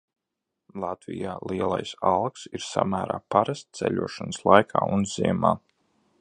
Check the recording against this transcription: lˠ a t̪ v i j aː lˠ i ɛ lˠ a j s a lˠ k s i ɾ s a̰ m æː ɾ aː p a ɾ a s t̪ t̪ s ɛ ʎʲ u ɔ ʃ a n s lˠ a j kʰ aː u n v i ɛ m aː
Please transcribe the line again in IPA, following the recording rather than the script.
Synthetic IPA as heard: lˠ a t̪ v i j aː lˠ i ɛ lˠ a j s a lˠ k s i ɾ s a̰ m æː ɾ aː p a ɾ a s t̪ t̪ s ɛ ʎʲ u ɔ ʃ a n s lˠ a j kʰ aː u n z i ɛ m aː

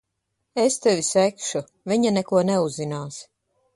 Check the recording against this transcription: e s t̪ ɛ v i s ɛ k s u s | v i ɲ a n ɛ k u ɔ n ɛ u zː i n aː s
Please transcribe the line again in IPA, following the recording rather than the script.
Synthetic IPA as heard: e s t̪ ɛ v i s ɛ k ʃ u | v i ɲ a n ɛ k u ɔ n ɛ u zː i n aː s

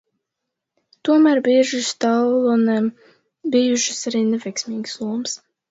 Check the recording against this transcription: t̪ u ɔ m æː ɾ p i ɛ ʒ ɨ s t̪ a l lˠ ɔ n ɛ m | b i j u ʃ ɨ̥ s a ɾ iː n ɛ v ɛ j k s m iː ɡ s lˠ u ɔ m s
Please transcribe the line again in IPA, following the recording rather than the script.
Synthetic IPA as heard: t̪ u ɔ m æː ɾ b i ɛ ʒ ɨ s t̪ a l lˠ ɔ n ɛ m | b i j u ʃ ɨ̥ s a ɾ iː n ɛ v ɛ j k s m iː ɡ s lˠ u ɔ m s

